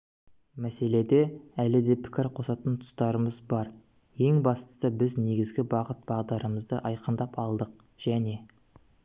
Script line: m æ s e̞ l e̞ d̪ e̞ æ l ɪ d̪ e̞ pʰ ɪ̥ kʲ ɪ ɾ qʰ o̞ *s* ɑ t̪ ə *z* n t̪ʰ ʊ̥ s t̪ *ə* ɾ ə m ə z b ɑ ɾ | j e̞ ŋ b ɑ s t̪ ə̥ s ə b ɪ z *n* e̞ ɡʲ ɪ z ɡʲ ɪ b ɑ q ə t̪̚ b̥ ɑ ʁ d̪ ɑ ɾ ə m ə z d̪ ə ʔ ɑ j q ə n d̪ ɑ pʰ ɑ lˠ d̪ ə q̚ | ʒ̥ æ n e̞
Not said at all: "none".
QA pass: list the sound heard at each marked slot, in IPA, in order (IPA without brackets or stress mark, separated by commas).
s, none, ɑ, n